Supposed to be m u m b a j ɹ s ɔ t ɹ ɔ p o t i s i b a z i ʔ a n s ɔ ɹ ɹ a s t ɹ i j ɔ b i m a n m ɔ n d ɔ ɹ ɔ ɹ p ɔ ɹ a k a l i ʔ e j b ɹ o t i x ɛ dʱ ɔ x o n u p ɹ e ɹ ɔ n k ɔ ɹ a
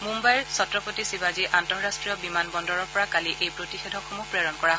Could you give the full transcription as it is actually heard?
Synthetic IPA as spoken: m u m b a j ɹ s ɔ t ɹ ɔ p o t i s i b a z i ʔ a n t ɔ ɹ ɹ a s t ɹ i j ɔ b i m a n b ɔ n d ɔ ɹ ɔ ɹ p ɔ ɹ a k a l i ʔ e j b ɹ o t i x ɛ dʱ ɔ x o m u p ɹ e ɹ ɔ n k ɔ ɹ a